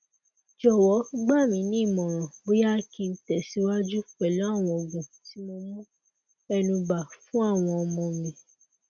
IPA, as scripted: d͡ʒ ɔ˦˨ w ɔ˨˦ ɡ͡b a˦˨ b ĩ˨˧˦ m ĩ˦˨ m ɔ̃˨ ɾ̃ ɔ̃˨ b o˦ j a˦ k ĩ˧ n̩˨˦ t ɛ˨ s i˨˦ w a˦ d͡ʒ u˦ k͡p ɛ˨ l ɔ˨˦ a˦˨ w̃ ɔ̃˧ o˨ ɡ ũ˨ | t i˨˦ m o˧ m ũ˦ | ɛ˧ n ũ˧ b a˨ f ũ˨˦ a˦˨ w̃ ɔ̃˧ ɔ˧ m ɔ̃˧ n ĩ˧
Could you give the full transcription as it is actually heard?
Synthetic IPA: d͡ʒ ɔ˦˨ w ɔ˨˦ ɡ͡b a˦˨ m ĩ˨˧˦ n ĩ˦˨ m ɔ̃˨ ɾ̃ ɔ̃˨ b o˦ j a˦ k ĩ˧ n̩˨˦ t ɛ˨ s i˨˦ w a˦ d͡ʒ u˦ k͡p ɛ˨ l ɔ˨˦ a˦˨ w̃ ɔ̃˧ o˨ ɡ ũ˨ | t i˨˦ m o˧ m ũ˦ | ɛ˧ n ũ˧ b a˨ f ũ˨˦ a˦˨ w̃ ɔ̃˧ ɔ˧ m ɔ̃˧ m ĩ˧